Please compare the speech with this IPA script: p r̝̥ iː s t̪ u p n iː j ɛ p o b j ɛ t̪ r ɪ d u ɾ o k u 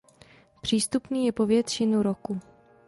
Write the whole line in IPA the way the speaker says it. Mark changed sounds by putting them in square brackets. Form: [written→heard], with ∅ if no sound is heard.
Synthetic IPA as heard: p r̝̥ iː s t̪ u p n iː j ɛ p o [b→v] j ɛ t̪ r ɪ [d→n] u ɾ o k u